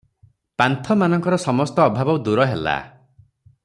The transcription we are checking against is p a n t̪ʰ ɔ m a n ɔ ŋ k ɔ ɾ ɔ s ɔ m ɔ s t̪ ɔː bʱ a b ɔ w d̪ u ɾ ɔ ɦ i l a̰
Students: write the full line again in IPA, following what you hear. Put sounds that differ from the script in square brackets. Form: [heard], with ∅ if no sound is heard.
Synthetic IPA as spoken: p a n t̪ʰ ɔ m a n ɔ ŋ k ɔ ɾ ɔ s ɔ m ɔ s t̪ ɔː bʱ a b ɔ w d̪ u ɾ ɔ ɦ [e] l a̰